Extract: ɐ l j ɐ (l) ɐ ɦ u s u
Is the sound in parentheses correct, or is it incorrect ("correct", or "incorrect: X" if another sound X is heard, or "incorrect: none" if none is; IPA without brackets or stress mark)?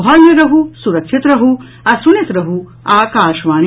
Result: incorrect: ɾ